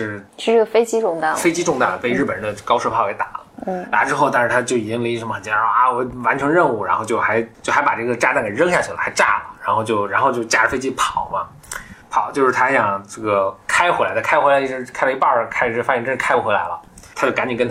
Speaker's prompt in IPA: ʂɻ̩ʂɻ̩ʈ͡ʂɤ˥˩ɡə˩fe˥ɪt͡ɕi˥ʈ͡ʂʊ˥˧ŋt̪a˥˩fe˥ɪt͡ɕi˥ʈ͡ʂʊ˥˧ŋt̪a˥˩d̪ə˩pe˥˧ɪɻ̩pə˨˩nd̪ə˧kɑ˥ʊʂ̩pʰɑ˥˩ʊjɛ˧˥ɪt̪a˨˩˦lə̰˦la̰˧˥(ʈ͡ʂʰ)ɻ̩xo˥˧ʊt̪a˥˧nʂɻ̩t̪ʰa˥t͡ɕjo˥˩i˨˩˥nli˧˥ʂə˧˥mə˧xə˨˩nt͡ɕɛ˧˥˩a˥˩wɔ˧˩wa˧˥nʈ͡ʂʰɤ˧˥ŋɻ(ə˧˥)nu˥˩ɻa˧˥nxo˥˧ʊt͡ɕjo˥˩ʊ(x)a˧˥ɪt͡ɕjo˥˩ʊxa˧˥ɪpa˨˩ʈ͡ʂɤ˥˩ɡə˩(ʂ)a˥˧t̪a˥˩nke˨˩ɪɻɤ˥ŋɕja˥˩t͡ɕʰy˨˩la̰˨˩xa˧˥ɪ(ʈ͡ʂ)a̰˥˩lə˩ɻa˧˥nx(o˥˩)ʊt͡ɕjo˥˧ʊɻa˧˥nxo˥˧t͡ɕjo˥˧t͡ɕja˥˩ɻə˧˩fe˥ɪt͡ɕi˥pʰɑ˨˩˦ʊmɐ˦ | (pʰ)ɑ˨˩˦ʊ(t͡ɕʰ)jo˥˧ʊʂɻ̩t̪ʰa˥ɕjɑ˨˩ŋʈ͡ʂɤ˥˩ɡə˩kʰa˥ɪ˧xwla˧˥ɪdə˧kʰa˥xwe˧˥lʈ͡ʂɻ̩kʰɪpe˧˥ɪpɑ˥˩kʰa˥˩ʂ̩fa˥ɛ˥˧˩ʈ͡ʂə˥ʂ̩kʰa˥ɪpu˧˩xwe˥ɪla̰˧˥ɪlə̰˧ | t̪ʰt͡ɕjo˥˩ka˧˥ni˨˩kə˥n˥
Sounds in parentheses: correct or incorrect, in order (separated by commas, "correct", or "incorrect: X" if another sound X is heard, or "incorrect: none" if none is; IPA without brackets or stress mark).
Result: incorrect: ʈ͡ʂ, incorrect: ə˥˧, correct, incorrect: ʈ͡ʂ, correct, incorrect: o˥˧, correct, incorrect: t͡ɕ